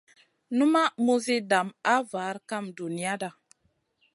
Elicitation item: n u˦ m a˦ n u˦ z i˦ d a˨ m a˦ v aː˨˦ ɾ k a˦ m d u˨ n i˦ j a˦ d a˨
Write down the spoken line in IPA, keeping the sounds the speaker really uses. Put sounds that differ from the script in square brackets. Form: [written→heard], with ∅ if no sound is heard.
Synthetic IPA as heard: n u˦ m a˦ [n→m] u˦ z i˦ d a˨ m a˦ v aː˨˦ ɾ k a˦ m d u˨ n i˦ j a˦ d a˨